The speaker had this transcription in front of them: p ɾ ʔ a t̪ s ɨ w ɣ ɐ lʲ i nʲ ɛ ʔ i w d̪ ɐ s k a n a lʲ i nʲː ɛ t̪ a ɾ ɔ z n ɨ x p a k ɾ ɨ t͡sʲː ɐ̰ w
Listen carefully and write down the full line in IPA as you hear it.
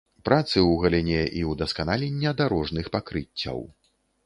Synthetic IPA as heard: p ɾ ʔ a t̪ s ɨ w ɣ ɐ lʲ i nʲ ɛ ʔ i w d̪ ɐ s k a n a lʲ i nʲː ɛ d̪ a ɾ ɔ ʐ n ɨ x p a k ɾ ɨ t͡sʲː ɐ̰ w